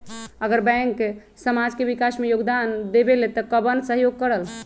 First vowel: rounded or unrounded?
unrounded